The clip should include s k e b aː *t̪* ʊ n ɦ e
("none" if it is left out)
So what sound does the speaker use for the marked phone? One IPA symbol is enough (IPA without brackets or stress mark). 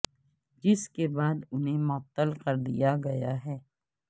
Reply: d̪